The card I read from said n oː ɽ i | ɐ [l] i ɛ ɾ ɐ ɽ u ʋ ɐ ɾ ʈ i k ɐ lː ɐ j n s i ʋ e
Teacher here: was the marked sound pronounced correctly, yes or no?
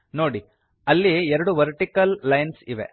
no